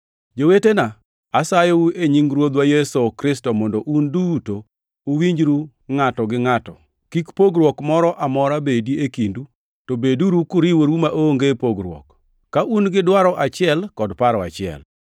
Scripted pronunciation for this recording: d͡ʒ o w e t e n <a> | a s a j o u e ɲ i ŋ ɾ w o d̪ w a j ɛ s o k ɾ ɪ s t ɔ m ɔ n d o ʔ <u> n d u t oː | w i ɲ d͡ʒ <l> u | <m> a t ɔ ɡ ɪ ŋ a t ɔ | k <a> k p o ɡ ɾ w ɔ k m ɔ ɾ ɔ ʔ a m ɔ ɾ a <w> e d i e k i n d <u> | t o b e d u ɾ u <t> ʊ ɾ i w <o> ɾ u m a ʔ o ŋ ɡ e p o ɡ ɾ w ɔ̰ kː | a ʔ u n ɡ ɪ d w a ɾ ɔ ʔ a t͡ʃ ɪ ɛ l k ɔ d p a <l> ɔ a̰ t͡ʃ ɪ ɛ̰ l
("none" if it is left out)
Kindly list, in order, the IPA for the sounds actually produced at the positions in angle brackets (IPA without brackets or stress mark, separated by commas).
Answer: a, u, ɾ, ŋ, i, b, u, k, o, ɾ